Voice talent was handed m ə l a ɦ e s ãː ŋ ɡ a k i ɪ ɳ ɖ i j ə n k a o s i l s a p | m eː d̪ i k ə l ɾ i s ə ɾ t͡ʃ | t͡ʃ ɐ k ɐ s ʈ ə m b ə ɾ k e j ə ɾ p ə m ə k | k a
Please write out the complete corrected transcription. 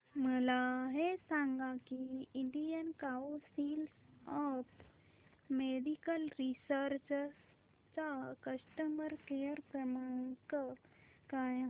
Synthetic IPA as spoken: m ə l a ɦ e s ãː ŋ ɡ a k i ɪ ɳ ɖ i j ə n k a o s i l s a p | m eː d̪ i k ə l ɾ i s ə ɾ t͡ʃ | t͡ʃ a k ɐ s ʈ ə m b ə ɾ k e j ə ɾ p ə m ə k | k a